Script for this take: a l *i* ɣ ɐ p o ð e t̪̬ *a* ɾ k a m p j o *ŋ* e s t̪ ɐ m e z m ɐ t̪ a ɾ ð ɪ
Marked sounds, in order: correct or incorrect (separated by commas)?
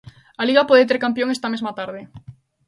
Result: correct, incorrect, correct